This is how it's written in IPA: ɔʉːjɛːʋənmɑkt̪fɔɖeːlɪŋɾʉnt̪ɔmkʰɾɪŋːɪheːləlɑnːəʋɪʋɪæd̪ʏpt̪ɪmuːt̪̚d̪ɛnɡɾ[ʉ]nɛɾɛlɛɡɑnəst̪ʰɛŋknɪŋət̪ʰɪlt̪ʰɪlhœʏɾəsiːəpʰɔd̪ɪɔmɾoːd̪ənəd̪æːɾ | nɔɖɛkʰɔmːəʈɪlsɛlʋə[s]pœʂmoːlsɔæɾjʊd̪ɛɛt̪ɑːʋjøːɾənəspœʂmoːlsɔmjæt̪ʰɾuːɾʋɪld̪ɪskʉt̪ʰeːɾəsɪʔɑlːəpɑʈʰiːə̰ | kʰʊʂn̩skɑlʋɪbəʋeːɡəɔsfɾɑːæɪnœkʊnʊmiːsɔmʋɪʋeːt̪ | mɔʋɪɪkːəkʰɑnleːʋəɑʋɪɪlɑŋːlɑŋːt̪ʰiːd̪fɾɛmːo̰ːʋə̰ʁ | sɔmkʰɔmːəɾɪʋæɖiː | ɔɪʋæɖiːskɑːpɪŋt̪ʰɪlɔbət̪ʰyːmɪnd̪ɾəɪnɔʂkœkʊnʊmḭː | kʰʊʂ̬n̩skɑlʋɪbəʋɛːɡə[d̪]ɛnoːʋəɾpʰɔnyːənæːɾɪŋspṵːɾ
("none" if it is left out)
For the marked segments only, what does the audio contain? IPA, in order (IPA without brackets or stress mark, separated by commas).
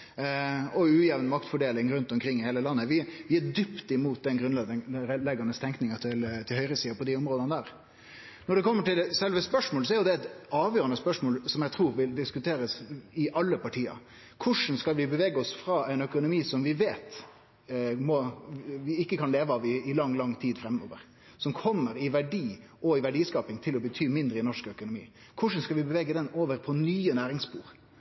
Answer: ʉ, s, d̪